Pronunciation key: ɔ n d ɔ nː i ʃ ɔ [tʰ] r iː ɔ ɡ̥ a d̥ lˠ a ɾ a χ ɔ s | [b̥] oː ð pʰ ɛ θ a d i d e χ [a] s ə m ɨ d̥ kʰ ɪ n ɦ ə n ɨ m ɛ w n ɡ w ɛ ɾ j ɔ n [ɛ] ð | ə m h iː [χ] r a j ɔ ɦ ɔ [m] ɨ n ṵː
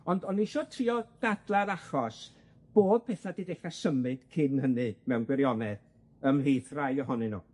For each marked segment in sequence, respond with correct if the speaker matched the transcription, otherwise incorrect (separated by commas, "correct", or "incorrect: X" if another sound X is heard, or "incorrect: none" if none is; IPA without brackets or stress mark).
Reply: correct, correct, correct, correct, incorrect: θ, incorrect: n